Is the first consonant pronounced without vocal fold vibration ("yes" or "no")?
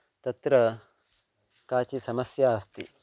yes